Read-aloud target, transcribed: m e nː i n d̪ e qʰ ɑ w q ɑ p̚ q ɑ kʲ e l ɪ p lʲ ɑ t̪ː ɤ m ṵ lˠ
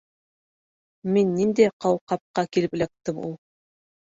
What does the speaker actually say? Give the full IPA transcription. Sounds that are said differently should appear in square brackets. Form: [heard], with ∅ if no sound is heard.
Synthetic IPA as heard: m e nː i n d̪ e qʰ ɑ w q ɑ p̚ q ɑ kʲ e l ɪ p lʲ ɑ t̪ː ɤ m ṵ lˠ